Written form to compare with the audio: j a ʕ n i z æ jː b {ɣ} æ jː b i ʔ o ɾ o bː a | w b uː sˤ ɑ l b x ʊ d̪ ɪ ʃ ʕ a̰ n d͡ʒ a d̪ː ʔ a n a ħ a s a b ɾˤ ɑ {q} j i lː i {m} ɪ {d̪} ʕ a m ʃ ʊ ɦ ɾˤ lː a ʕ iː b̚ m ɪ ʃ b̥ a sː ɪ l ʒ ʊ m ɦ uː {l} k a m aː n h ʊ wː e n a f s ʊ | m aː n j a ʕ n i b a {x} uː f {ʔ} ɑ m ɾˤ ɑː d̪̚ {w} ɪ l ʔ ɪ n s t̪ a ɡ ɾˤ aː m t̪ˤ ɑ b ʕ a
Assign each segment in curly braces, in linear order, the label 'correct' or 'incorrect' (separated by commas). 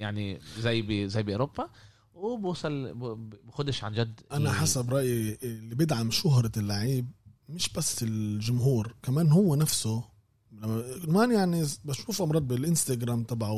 incorrect, incorrect, incorrect, correct, incorrect, incorrect, correct, incorrect